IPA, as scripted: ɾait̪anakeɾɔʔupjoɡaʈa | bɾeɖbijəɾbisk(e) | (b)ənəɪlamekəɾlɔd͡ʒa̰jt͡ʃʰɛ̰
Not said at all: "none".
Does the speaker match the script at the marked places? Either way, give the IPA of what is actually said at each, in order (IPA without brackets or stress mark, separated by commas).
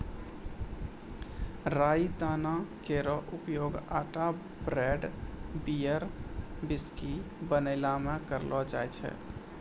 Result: i, b